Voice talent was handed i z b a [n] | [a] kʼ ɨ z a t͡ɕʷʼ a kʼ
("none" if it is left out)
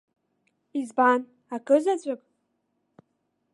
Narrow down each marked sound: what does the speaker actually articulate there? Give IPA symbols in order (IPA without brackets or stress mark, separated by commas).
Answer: n, a